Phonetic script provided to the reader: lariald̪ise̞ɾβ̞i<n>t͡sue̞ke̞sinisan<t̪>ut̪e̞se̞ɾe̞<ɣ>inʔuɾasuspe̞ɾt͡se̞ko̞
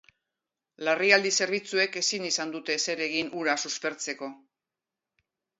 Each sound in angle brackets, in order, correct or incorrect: incorrect, incorrect, correct

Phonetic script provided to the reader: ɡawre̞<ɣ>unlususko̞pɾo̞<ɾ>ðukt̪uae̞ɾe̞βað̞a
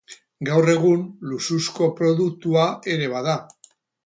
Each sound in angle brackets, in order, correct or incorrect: correct, incorrect

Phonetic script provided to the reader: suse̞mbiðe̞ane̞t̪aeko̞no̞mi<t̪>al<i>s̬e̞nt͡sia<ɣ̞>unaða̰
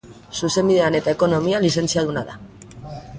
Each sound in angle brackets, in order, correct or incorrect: incorrect, correct, incorrect

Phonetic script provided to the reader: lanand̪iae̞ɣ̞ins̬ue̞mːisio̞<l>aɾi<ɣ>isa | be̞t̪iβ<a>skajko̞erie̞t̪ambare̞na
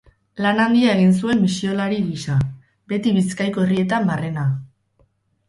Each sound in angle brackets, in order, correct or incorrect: correct, correct, incorrect

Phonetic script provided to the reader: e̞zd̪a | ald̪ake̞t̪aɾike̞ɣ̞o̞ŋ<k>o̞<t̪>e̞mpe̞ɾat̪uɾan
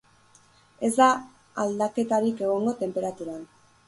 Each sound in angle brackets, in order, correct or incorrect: incorrect, correct

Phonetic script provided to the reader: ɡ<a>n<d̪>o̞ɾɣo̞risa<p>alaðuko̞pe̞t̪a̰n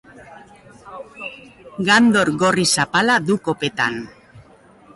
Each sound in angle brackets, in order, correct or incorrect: correct, correct, correct

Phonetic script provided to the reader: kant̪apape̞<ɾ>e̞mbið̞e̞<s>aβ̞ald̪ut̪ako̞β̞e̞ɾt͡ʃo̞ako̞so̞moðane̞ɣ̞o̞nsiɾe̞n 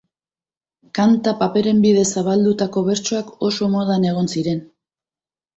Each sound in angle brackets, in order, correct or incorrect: correct, correct

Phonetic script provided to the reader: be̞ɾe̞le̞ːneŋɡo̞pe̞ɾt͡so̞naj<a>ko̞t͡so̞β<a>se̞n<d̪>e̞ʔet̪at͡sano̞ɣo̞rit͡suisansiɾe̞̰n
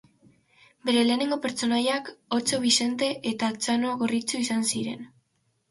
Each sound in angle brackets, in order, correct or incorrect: correct, incorrect, incorrect

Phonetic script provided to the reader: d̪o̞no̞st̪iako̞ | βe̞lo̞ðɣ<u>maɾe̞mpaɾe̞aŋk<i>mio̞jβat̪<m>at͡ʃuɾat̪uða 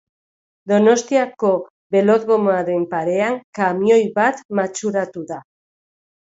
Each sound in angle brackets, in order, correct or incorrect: incorrect, incorrect, correct

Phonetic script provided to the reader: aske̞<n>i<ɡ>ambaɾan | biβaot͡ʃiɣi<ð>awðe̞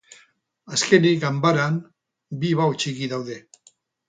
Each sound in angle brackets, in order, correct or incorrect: correct, correct, correct

